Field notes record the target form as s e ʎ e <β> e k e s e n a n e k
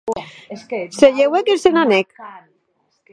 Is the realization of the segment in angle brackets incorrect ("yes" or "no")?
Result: yes